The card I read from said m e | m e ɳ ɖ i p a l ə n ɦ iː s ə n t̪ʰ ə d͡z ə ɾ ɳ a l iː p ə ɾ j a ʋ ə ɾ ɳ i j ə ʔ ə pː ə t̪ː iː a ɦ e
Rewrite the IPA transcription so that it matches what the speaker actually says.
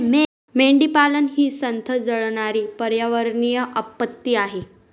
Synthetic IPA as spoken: m e | m e ɳ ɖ i p a l ə n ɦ iː s ə n t̪ʰ ə d͡z ə ɭ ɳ a ɾ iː p ə ɾ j a ʋ ə ɾ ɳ i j ə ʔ ə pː ə t̪ː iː a ɦ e